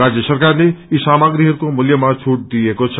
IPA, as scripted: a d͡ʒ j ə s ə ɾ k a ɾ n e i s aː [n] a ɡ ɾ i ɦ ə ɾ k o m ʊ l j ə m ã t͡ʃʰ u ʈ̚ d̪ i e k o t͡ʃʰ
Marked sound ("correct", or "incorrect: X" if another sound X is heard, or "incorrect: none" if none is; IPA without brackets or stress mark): incorrect: m